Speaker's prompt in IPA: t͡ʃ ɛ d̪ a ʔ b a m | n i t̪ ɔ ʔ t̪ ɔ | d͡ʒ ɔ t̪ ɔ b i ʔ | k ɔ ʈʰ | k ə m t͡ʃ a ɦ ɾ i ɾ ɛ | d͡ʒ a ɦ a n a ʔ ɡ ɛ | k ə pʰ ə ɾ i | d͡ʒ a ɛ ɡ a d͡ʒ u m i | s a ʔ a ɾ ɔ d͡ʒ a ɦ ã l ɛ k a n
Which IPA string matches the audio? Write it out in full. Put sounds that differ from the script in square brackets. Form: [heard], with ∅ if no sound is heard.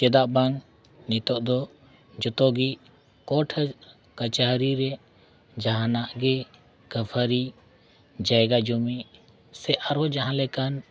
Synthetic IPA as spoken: t͡ʃ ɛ d̪ a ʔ b a [ŋ] | n i t̪ ɔ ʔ [d̪] ɔ | d͡ʒ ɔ t̪ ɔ [ɡ] i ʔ | k ɔ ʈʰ | k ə [∅] t͡ʃ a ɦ ɾ i ɾ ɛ | d͡ʒ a ɦ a n a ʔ ɡ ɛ | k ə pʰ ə ɾ i | d͡ʒ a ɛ ɡ a d͡ʒ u m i | s [ɛ] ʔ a ɾ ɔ d͡ʒ a ɦ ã l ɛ k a n